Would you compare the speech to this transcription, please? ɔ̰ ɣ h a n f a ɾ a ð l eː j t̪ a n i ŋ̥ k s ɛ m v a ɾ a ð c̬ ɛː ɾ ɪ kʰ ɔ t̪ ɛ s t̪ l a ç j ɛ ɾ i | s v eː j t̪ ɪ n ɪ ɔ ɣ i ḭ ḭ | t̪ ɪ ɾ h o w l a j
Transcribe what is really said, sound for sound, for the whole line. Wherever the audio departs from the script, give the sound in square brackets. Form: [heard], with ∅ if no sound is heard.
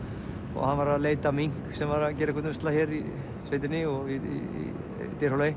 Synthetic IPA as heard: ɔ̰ ɣ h a n [v] a ɾ a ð l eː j t̪ a [m] i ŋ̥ k s ɛ m v a ɾ a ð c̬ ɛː ɾ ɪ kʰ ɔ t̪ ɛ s t̪ l a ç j ɛ ɾ i | s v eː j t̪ ɪ n ɪ ɔ ɣ i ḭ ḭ | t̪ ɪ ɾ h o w l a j